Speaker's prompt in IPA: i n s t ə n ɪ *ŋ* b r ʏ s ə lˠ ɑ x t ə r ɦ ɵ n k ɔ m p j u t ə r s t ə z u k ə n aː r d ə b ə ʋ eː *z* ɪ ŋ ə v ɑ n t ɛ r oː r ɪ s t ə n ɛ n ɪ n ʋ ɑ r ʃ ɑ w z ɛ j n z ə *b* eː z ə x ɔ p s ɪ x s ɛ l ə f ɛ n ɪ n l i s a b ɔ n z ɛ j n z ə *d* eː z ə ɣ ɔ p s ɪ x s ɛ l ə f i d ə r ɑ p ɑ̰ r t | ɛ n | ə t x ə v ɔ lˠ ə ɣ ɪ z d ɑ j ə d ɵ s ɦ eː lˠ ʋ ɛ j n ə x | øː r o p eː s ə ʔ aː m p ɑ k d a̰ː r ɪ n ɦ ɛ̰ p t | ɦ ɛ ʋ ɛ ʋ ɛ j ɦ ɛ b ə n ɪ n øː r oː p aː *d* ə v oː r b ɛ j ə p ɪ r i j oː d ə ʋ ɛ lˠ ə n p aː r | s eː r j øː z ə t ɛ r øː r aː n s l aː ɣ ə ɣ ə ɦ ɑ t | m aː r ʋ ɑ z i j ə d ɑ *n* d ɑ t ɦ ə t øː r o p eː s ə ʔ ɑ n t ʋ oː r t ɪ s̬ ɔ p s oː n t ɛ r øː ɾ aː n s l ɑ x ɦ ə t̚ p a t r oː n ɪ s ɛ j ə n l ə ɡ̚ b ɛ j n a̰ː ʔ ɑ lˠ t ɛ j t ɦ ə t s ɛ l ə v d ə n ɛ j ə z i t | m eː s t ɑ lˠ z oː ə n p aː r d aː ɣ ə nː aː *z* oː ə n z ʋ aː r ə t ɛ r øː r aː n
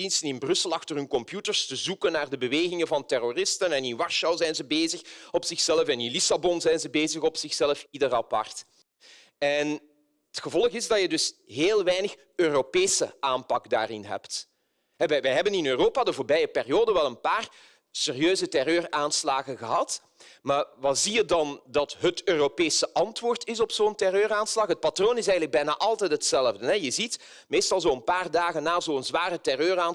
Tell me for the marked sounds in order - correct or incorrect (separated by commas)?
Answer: incorrect, incorrect, correct, incorrect, correct, correct, correct